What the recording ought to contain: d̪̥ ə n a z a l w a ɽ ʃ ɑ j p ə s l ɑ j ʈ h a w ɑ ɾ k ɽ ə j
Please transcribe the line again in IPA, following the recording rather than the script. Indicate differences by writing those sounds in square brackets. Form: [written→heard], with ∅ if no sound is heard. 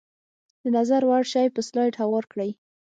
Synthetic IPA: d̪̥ ə n a z a [l→ɾ] w a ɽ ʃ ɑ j p ə s l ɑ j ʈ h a w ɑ ɾ k ɽ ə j